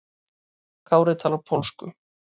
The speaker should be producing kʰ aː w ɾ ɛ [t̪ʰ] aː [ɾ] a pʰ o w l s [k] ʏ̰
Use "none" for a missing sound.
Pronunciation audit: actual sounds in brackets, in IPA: t̪ʰ, l, k

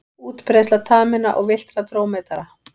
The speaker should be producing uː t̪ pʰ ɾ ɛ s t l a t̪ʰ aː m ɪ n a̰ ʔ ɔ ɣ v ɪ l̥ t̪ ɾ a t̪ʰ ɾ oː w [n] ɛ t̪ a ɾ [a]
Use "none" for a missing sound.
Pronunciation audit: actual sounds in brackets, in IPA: m, a

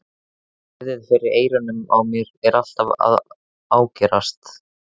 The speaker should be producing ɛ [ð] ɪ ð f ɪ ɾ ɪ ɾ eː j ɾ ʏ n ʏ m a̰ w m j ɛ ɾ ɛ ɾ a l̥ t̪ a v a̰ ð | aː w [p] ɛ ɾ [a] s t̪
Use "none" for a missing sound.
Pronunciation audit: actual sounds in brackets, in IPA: ð, c, a

